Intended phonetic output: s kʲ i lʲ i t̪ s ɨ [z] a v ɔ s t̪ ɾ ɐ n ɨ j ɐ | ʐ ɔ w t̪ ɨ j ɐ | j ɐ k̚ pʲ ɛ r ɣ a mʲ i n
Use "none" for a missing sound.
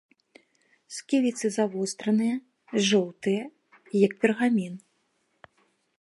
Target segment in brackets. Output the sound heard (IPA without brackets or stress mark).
z